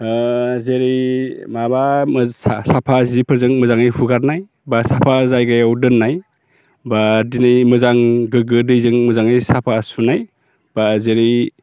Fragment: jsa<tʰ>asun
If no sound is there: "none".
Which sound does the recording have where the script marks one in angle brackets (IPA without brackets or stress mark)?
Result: pʰ